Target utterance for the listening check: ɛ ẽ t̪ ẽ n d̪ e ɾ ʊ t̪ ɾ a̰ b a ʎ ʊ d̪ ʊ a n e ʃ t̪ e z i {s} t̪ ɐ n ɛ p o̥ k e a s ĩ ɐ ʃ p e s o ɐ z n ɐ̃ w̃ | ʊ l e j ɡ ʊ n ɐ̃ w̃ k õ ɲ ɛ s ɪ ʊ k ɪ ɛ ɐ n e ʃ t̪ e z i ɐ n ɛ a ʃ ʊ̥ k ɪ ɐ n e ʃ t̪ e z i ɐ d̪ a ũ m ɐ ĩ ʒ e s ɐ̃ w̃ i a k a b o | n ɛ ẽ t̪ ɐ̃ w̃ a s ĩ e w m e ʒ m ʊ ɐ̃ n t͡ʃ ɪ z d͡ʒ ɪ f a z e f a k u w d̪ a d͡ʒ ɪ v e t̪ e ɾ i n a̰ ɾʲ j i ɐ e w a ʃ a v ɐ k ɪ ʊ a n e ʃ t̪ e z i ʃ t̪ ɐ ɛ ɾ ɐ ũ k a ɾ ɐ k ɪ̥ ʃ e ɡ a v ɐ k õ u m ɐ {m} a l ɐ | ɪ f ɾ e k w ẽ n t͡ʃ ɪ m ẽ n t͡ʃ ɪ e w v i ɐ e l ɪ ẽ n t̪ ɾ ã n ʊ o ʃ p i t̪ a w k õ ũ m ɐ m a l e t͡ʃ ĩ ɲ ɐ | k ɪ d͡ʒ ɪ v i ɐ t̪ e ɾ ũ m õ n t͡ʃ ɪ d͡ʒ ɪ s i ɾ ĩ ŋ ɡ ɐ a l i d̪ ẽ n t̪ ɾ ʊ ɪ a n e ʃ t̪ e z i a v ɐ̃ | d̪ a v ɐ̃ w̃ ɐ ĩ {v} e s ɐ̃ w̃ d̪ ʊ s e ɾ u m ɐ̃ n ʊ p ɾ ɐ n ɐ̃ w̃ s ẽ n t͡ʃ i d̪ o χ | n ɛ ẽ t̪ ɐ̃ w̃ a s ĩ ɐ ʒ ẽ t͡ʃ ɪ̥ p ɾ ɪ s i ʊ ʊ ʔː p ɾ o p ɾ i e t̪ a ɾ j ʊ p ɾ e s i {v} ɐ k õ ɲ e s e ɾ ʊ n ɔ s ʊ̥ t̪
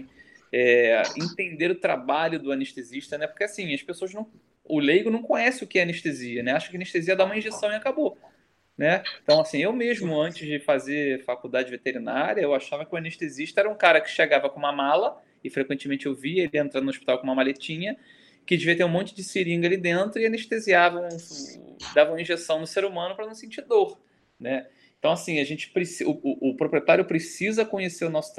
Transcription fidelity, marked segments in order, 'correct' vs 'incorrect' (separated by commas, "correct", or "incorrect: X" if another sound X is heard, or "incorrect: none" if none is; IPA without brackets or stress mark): incorrect: ʃ, correct, incorrect: ʒ, incorrect: z